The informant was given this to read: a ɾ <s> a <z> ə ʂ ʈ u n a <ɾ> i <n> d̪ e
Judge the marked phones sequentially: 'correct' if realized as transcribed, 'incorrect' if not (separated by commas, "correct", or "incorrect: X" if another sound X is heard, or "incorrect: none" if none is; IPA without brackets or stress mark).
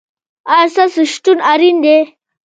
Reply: correct, incorrect: s, correct, correct